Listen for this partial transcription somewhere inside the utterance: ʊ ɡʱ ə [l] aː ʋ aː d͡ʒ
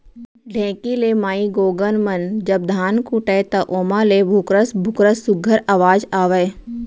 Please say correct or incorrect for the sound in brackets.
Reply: incorrect